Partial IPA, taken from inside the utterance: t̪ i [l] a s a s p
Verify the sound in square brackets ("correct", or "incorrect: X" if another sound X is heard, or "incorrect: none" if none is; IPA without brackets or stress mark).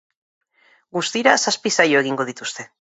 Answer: incorrect: ɾ